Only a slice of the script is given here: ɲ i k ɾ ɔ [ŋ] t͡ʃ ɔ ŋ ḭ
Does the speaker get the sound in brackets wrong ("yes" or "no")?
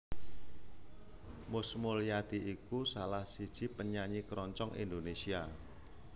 yes